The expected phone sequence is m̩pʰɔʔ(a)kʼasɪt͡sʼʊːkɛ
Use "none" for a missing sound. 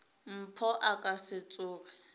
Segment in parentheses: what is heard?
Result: a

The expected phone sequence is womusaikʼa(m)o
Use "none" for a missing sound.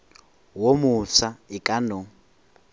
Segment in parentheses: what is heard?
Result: n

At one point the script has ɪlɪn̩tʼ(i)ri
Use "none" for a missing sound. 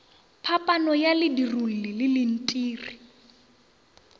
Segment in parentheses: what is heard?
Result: iː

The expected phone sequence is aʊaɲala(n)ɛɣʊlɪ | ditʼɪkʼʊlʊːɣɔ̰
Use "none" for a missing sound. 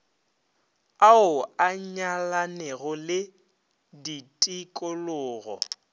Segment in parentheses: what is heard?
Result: n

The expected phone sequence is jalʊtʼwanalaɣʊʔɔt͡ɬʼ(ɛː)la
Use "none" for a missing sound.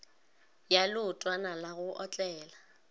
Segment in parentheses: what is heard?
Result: ɛː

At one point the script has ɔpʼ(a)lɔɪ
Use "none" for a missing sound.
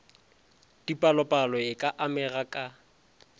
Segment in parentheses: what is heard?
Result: a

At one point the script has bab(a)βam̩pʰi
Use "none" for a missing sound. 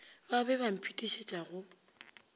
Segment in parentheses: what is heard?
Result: ɛ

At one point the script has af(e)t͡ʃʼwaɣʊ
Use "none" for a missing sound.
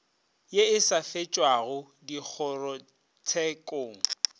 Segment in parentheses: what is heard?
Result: e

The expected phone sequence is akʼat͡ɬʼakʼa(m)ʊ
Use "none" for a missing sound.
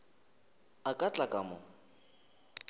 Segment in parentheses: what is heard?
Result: m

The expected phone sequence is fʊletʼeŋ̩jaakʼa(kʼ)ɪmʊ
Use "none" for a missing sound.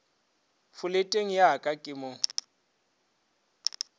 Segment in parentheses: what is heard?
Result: kʼ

